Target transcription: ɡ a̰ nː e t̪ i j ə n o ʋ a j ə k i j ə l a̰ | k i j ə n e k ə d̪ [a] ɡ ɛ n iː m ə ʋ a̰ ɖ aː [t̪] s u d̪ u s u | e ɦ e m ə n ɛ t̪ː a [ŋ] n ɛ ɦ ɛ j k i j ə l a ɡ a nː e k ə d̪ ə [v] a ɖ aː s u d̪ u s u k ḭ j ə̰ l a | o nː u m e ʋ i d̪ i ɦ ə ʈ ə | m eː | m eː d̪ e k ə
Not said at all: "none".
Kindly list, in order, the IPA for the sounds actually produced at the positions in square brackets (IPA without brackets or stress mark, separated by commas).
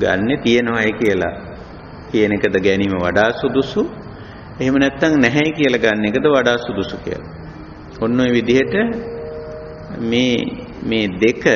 ə, none, ŋ, ʋ